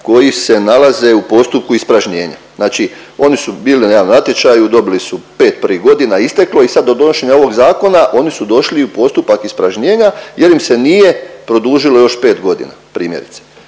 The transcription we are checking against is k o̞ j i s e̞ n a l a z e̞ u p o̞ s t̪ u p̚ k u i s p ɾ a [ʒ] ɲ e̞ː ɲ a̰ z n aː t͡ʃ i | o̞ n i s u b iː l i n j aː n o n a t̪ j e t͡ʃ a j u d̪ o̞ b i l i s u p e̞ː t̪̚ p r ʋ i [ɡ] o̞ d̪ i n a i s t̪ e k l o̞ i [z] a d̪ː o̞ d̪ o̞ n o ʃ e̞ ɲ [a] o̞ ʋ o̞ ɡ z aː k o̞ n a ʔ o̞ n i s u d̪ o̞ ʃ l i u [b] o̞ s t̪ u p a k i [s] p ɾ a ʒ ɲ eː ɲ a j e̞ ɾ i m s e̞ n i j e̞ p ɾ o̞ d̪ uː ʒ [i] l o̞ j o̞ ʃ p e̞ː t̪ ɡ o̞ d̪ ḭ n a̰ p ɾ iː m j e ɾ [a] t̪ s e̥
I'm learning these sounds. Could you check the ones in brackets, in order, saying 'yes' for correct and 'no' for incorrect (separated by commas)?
yes, yes, no, yes, no, yes, yes, no